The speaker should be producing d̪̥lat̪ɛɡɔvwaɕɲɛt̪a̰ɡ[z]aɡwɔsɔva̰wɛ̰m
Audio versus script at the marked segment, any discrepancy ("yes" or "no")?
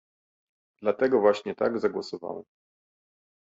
no